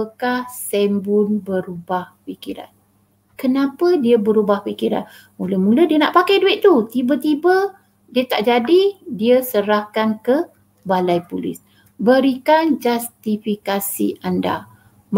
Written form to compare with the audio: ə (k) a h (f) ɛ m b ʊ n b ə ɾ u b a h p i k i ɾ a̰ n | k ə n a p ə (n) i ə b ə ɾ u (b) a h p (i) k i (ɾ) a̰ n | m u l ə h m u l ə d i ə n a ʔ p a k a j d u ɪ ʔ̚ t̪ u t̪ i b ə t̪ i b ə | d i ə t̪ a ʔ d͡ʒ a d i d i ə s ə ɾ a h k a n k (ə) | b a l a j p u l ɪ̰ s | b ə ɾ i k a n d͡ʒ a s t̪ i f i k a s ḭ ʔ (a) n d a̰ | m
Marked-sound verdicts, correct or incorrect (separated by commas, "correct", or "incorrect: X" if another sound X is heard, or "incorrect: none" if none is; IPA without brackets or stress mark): correct, incorrect: s, incorrect: d, correct, correct, correct, correct, correct